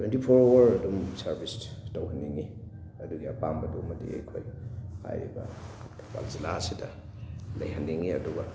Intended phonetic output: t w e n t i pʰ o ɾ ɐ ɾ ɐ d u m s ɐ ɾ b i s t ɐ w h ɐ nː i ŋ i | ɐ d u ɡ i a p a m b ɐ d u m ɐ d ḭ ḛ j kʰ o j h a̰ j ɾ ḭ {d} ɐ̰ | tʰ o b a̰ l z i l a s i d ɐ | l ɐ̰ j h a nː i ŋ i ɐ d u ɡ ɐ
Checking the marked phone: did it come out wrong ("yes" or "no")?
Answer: yes